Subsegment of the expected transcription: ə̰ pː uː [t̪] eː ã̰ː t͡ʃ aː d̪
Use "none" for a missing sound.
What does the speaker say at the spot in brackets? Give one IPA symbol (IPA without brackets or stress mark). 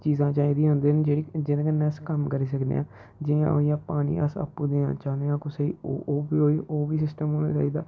d̪